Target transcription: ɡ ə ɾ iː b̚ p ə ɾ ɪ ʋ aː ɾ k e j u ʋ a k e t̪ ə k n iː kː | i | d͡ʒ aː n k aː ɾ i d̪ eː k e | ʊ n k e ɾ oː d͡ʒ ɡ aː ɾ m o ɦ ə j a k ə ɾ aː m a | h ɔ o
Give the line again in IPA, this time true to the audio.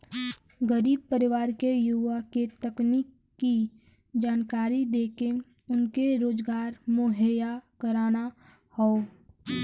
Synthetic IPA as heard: ɡ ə ɾ iː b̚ p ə ɾ ɪ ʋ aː ɾ k e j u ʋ a k e t̪ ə k n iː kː | i | d͡ʒ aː n k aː ɾ i d̪ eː k e | ʊ n k e ɾ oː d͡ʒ ɡ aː ɾ m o ɦ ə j a k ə ɾ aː n a | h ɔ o